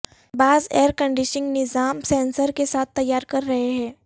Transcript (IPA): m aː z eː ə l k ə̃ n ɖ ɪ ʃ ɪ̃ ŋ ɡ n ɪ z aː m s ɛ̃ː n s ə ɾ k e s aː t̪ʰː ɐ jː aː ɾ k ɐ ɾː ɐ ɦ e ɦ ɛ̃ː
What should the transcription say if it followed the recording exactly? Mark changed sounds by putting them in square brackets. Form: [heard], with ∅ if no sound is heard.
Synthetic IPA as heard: [b] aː z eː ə [ɾ] k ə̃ [ɳ] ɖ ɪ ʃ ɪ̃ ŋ ɡ n ɪ z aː m s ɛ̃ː n s ə ɾ k e s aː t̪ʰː ɐ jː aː ɾ k ɐ ɾː ɐ ɦ e ɦ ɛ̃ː